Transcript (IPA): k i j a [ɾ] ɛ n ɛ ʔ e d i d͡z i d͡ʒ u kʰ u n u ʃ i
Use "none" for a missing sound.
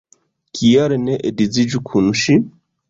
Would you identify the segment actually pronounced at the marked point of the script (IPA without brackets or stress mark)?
ɾ